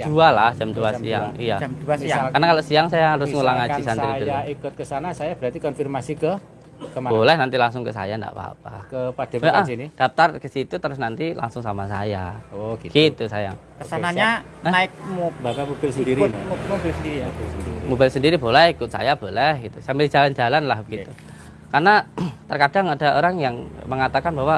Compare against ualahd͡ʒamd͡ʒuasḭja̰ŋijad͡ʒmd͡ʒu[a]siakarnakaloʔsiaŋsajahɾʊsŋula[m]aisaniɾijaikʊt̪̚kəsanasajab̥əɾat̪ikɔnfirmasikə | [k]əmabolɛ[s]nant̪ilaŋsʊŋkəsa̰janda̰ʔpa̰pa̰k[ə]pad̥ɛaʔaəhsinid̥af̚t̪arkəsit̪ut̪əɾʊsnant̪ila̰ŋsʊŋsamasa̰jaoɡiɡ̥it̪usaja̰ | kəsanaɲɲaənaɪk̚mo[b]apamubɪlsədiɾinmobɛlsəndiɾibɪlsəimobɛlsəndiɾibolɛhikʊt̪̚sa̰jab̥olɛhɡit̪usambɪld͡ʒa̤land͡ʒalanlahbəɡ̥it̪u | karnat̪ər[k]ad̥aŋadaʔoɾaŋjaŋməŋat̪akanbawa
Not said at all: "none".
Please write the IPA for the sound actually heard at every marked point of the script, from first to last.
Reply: a, ŋ, k, h, ə, b, k

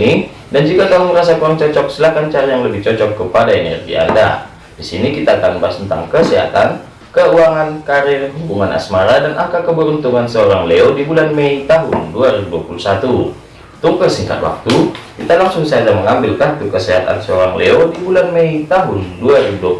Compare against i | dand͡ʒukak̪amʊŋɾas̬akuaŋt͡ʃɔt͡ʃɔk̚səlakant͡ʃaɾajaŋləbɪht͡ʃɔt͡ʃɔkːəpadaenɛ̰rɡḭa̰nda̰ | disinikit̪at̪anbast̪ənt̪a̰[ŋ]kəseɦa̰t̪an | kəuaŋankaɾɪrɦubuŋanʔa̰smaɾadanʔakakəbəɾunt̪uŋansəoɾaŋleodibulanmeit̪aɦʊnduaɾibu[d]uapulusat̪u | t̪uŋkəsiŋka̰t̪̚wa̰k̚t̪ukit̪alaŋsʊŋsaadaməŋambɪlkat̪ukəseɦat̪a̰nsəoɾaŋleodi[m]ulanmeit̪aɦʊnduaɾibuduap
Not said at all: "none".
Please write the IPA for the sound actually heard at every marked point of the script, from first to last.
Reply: ŋ, d, b

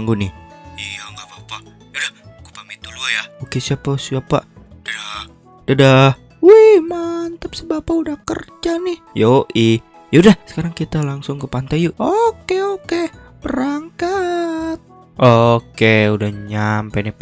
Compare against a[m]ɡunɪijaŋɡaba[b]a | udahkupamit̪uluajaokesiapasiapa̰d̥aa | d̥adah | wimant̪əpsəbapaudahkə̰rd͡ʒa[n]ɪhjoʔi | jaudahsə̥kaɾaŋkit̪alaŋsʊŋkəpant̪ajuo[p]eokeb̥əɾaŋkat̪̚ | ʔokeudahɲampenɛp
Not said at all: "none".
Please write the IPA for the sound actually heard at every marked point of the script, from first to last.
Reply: ŋ, p, n, k

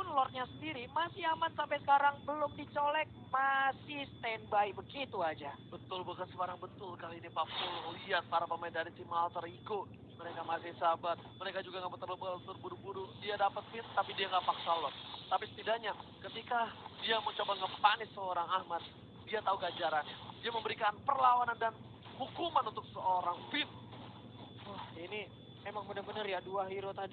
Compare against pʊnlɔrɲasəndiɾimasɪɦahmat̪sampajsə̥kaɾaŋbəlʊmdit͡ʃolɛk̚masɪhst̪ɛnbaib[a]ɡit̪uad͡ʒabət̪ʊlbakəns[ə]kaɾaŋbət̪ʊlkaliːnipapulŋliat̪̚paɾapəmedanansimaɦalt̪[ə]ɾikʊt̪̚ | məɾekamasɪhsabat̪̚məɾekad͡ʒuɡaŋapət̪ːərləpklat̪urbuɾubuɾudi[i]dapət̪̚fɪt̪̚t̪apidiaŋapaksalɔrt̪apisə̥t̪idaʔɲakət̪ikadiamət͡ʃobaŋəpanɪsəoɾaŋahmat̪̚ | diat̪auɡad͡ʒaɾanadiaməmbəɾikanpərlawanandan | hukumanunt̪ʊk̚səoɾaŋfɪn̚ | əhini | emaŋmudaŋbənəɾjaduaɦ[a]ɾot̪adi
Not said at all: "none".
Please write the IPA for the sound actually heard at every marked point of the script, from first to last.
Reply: ə, ə, ə, a, i

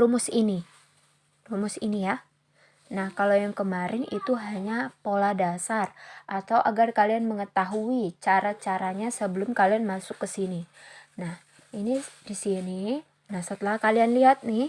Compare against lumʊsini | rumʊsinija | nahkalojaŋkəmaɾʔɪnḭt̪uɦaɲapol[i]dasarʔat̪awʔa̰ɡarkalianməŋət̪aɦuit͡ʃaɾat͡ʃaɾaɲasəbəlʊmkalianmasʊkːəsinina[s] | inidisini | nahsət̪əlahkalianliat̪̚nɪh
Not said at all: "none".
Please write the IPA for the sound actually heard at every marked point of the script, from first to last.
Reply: a, h

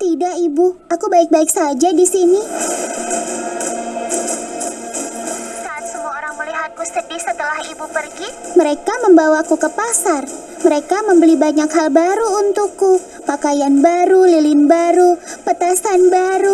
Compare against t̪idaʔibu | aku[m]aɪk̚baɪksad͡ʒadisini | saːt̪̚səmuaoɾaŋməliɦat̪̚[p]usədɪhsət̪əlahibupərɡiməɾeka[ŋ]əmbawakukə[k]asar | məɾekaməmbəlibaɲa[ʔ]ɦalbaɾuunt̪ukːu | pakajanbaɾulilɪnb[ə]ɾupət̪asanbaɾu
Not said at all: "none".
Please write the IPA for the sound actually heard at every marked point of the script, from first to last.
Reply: b, k, m, p, k, a

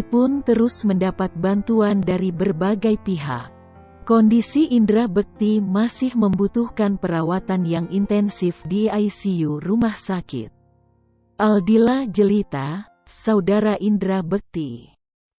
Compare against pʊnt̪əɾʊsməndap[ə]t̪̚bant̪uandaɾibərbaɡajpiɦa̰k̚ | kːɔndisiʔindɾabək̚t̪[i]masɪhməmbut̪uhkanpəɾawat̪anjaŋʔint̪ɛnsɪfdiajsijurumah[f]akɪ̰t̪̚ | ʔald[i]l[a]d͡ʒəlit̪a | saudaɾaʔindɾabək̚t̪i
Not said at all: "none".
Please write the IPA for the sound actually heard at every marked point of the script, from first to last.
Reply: a, i, s, i, a

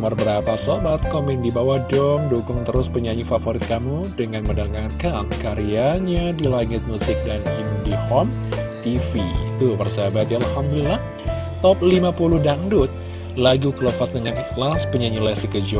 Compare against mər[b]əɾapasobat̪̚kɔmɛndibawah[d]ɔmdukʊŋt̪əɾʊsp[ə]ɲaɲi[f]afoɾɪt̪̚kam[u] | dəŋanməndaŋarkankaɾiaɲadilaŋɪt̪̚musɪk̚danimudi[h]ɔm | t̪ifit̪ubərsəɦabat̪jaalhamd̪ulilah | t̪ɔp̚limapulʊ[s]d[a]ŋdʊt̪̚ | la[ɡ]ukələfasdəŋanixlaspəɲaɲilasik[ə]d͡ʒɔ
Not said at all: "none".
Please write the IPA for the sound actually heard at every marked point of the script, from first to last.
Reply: b, d, ə, f, u, h, h, a, ɡ, ə

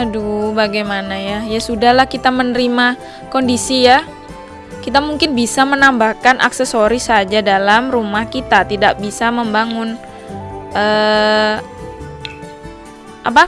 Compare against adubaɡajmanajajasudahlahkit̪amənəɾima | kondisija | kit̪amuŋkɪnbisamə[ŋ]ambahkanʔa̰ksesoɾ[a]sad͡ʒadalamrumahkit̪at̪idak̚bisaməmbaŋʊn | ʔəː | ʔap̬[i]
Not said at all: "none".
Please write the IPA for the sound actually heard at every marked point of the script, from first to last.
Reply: n, i, a

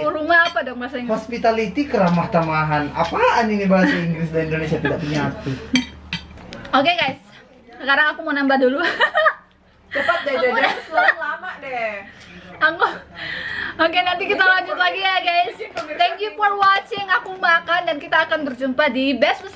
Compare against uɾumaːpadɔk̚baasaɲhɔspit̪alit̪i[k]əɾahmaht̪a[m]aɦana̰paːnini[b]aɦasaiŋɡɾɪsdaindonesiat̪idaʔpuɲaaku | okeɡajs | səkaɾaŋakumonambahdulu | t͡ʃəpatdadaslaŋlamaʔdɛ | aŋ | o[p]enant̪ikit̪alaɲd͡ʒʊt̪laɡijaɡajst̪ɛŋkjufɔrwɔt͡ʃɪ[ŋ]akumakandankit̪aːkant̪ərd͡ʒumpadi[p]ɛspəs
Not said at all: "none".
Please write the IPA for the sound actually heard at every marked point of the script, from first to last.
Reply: k, m, b, k, ŋ, b

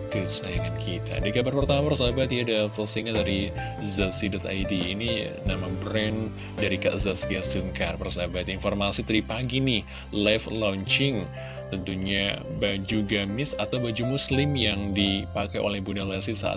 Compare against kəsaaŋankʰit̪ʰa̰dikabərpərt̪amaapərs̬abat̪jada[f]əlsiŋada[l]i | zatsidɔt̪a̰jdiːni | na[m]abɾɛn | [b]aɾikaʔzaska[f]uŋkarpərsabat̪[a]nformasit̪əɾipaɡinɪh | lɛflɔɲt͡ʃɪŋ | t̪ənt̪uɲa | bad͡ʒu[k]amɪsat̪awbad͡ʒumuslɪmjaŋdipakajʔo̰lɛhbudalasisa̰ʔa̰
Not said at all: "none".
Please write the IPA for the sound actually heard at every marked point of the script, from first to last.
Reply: f, ɾ, m, d, s, i, ɡ

